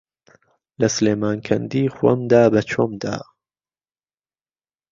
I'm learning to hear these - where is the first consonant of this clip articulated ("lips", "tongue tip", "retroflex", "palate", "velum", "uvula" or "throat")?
tongue tip